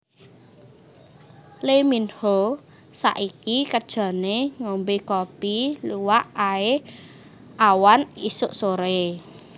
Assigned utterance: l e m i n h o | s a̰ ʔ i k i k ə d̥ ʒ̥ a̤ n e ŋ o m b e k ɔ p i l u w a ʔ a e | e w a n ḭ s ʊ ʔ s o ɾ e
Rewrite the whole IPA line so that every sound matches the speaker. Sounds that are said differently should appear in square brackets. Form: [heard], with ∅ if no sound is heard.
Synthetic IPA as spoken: l e m i n h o | s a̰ ʔ i k i k ə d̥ ʒ̥ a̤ n e ŋ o m b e k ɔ p i l u w a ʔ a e | [a] w a n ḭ s ʊ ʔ s o ɾ e

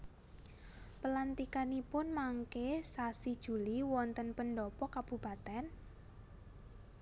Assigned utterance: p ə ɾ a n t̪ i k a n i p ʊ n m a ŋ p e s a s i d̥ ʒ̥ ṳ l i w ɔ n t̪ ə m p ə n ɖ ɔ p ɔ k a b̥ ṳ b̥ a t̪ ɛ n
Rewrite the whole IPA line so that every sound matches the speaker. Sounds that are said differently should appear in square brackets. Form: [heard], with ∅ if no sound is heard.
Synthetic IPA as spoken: p ə [l] a n t̪ i k a n i p ʊ n m a ŋ [k] e s a s i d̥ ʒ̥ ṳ l i w ɔ n t̪ ə [n] p ə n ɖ ɔ p ɔ k a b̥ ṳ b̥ a t̪ ɛ n

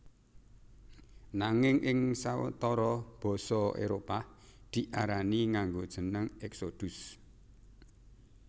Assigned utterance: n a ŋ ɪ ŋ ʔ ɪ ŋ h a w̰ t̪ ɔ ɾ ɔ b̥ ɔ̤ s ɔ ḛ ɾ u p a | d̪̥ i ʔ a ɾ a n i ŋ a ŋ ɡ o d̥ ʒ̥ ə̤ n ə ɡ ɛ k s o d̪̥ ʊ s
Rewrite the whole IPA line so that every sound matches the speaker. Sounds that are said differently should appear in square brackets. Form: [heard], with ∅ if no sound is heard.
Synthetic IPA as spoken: n a ŋ ɪ ŋ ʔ ɪ ŋ [s] a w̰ t̪ ɔ ɾ ɔ b̥ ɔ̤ s ɔ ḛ ɾ [o] p a | d̪̥ i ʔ a ɾ a n i ŋ a ŋ ɡ o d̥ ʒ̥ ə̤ n ə [ŋ] ɛ k s o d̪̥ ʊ s

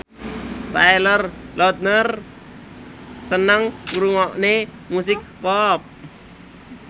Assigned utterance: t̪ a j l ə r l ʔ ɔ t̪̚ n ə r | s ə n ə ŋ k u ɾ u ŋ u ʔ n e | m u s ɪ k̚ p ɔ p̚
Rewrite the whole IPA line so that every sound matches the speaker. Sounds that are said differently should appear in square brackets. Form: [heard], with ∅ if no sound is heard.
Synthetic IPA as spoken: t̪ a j l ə r l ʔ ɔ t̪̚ n ə r | s ə n ə ŋ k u ɾ u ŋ [ɔ] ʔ n e | m u s ɪ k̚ p ɔ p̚

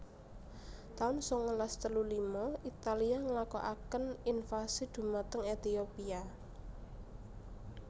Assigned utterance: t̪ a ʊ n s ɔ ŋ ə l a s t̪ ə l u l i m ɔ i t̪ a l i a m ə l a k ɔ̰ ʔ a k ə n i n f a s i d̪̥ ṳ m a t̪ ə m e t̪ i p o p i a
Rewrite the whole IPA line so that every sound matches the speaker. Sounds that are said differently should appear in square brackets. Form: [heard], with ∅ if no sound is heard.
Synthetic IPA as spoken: t̪ a ʊ n s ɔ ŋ ə l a s t̪ ə l u l i m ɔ i t̪ a l i a [ŋ] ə l a k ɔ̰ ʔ a k ə n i n f a s i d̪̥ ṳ m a t̪ ə [ŋ] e t̪ i [∅] o p i a

